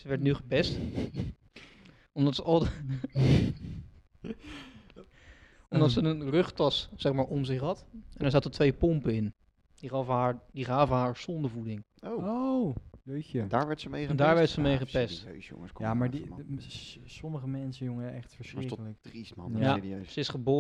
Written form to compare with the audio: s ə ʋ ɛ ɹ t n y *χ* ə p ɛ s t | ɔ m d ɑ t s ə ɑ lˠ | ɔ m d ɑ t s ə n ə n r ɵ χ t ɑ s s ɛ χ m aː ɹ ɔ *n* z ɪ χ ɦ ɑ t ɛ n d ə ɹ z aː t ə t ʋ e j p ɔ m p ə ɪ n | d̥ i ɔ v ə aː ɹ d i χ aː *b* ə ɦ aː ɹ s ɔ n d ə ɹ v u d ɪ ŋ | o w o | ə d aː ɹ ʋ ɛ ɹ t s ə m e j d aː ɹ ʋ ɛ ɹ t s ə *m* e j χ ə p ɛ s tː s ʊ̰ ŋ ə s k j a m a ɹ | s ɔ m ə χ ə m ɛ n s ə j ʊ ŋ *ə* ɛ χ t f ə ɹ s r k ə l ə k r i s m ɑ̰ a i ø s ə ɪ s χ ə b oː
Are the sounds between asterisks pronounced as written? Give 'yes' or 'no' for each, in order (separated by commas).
yes, no, no, yes, yes